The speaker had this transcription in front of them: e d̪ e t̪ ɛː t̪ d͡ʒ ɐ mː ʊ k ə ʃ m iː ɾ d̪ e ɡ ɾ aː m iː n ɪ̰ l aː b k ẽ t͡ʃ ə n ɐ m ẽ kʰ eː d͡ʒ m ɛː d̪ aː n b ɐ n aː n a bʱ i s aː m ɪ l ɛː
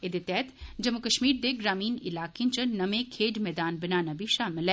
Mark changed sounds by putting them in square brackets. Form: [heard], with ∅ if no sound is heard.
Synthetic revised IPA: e d̪ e t̪ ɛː t̪ d͡ʒ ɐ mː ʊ k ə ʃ m iː ɾ d̪ e ɡ ɾ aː m iː n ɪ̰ l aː [∅] k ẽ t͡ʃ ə n ɐ m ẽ kʰ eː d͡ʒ m ɛː d̪ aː n b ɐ n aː n a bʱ i [ʃ] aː m ɪ l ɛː